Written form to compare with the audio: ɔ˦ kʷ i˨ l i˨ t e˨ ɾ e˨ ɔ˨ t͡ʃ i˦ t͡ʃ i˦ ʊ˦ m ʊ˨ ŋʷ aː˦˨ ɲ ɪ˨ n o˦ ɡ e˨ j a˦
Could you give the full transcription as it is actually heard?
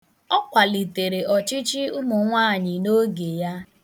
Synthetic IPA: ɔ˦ kʷ a˨ l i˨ t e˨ ɾ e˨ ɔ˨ t͡ʃ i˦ t͡ʃ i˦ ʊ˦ m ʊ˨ ŋʷ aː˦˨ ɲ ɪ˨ n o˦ ɡ e˨ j a˦